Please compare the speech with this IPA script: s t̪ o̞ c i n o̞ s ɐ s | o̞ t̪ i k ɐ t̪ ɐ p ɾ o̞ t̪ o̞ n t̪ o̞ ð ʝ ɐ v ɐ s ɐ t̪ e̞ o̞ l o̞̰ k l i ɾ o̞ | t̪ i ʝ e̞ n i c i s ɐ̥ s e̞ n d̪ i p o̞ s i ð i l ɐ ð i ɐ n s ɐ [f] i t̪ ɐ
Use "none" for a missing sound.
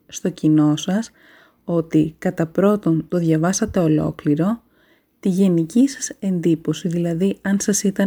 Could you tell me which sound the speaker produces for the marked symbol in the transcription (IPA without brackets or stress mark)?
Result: s